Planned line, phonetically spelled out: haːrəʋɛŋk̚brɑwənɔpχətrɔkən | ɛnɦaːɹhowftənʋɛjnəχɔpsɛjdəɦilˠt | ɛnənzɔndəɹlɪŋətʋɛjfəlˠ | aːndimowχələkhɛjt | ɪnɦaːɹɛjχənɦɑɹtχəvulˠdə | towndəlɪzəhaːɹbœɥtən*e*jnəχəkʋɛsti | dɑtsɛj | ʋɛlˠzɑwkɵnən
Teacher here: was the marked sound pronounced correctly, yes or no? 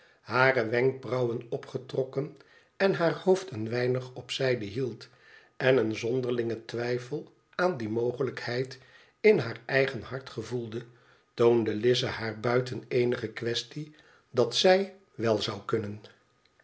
yes